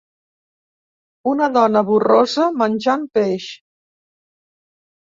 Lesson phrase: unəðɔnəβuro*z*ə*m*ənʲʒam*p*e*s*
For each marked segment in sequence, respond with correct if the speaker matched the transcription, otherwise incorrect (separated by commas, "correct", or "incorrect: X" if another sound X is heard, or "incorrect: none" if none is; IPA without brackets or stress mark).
correct, correct, correct, incorrect: ʃ